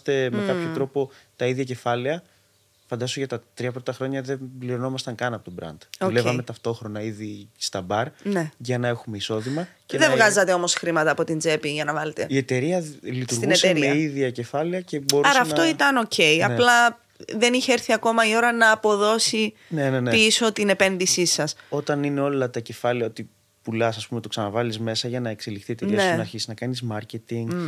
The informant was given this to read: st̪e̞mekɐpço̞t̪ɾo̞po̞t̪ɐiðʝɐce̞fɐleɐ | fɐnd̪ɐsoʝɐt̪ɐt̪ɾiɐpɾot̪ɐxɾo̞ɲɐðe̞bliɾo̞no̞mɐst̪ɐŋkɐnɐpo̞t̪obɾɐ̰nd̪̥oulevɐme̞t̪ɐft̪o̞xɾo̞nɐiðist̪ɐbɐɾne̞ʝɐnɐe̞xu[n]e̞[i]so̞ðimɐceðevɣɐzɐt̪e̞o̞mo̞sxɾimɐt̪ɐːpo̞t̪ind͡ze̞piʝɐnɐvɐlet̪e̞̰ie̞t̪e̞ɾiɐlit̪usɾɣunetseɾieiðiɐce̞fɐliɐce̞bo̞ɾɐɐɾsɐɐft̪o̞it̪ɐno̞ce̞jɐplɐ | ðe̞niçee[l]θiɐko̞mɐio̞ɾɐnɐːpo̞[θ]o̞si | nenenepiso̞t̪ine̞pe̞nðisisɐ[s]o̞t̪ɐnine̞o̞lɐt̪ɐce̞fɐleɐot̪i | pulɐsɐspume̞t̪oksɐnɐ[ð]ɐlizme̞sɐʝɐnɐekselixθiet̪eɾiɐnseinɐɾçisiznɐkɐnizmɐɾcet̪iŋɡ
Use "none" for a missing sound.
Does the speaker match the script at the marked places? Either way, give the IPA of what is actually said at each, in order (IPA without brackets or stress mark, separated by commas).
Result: m, i, ɾ, ð, s, v